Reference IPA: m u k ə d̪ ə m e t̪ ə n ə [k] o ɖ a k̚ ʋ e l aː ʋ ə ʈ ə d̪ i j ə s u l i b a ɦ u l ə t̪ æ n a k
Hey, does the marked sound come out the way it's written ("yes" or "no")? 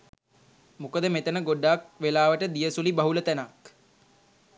no